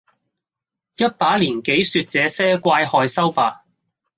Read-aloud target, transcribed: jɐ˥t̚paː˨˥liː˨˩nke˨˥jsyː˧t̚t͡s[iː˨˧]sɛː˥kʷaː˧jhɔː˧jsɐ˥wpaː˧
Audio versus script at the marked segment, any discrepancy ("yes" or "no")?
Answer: yes